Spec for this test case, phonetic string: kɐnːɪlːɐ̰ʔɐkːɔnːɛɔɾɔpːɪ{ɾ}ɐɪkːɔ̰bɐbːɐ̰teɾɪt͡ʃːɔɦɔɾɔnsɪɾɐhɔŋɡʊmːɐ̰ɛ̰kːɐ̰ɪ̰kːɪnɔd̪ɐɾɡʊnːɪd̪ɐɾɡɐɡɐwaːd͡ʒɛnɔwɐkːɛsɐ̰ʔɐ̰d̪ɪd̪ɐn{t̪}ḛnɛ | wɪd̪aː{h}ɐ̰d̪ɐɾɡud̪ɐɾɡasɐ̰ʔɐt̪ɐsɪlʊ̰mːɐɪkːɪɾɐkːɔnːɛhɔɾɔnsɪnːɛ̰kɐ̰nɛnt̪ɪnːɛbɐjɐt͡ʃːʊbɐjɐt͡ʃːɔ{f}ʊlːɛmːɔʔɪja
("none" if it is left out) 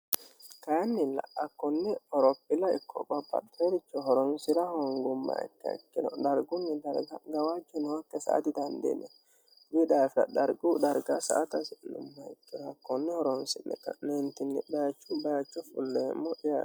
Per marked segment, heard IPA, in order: l, d̪, f, f

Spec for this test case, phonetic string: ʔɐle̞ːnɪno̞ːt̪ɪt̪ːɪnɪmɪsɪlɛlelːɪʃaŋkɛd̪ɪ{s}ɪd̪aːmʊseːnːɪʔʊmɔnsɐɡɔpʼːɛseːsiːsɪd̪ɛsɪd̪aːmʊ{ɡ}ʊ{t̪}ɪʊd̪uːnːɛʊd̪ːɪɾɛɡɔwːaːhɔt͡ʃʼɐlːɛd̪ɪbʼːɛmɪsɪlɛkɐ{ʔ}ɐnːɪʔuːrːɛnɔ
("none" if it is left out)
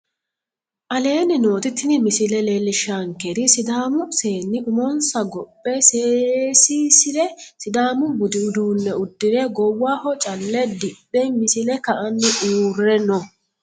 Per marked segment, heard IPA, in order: s, b, d̪, ʔ

